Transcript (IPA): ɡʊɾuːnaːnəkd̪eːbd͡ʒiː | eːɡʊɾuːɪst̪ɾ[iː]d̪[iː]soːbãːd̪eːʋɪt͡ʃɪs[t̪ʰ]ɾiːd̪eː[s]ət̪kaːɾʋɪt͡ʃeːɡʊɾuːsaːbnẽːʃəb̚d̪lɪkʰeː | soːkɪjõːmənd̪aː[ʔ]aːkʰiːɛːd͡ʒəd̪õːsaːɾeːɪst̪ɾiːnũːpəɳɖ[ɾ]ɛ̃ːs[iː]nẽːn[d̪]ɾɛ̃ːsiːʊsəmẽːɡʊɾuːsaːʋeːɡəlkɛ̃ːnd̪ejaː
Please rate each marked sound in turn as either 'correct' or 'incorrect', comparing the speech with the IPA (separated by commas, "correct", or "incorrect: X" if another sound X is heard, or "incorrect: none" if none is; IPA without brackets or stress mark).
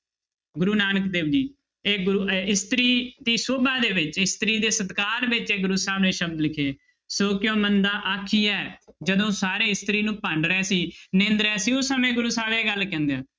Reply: correct, correct, incorrect: t̪, correct, correct, correct, correct, correct